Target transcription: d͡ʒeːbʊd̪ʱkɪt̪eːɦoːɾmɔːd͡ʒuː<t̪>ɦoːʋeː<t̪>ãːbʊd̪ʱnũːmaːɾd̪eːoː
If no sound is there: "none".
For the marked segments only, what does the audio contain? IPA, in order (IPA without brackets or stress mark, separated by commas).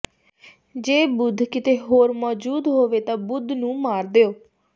d̪, t̪